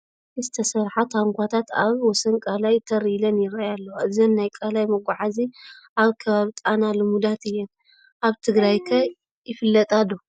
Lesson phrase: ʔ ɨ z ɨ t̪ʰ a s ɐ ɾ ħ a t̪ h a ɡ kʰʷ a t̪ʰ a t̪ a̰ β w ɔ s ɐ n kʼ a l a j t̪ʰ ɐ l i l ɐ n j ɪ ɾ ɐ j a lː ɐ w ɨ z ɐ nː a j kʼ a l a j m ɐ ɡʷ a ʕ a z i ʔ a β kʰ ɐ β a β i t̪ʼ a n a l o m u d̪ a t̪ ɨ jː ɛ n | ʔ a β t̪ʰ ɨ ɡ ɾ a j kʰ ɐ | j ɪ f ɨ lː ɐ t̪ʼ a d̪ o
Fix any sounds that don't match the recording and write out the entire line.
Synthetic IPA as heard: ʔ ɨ z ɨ t̪ʰ ɐ s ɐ ɾ ħ a t̪ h a ŋ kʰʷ a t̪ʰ a t̪ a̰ β w ɔ s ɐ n kʼ a l a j t̪ʰ ɐ ɾ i l ɐ n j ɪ ɾ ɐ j a lː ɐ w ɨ z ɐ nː a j kʼ a l a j m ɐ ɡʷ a ʕ a z i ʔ a β kʰ ɐ β a β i t̪ʼ a n a l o m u d̪ a t̪ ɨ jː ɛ n | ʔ a β t̪ʰ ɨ ɡ ɾ a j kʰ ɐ | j ɪ f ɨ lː ɐ t̪ʼ a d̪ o

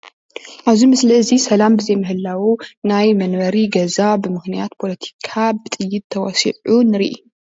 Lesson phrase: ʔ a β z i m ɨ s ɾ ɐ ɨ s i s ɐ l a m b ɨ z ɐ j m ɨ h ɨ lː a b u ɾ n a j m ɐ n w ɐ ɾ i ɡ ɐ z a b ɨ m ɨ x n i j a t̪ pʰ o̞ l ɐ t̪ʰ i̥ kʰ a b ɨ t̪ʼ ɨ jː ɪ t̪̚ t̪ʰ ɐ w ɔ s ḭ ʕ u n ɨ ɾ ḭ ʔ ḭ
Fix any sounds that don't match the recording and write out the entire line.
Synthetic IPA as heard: ʔ a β z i m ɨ s l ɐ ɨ z i s ɐ l a m b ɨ z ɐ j m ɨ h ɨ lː a w u n a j m ɐ n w ɐ ɾ i ɡ ɐ z a b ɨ m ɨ x n i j a t̪ pʰ o̞ l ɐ t̪ʰ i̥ kʰ a b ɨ t̪ʼ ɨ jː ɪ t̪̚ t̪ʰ ɐ w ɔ s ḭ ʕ u n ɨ ɾ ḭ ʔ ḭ

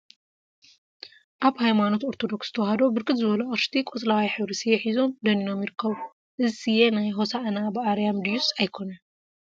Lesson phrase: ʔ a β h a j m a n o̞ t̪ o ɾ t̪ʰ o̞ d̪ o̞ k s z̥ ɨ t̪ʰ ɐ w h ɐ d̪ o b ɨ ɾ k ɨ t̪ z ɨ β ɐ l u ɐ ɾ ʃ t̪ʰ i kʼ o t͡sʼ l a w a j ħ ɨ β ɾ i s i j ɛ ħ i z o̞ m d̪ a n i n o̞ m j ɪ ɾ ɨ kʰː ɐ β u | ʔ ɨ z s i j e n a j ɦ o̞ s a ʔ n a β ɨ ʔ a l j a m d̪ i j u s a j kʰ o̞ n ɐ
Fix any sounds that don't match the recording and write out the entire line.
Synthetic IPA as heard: ʔ a β h a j m a n o̞ t̪ o ɾ t̪ʰ o̞ d̪ o̞ k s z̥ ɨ t̪ʰ ɐ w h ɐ d̪ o b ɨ ɾ k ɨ t̪ z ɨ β ɐ l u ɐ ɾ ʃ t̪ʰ i kʼ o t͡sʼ l a w a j ħ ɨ β ɾ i s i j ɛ ħ i z o̞ m d̪ ɐ n i n o̞ m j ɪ ɾ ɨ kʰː ɐ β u | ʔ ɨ z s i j e n a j ɦ o̞ s a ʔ n a b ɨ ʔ a ɾ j a m d̪ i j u s a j kʰ o̞ n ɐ

